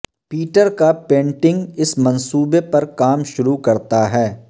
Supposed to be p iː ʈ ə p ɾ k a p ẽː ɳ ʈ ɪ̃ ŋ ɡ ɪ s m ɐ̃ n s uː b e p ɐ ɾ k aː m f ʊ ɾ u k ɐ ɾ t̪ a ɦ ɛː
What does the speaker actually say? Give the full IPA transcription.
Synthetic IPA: p iː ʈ ə ɾ k a p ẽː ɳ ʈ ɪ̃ ŋ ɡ ɪ s m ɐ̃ n s uː b e p ɐ ɾ k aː m ʃ ʊ ɾ u k ɐ ɾ t̪ a ɦ ɛː